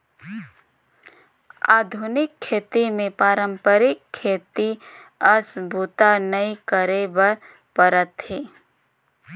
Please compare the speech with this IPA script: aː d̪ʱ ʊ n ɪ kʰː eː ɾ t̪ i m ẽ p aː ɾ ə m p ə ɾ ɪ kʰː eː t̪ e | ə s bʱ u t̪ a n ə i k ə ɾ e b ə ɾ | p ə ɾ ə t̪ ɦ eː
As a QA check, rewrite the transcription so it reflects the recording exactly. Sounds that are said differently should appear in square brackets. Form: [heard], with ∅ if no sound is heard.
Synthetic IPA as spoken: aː d̪ʱ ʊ n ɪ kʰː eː [∅] t̪ i m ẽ p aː ɾ ə m p ə ɾ ɪ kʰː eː t̪ [i] | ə s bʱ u t̪ a n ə i k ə ɾ e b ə ɾ | p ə ɾ ə t̪ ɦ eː